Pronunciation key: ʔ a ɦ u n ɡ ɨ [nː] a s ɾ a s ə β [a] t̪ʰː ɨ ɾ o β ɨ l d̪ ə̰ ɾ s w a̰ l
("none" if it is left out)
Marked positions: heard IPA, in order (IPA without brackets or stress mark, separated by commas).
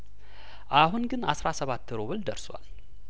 n, a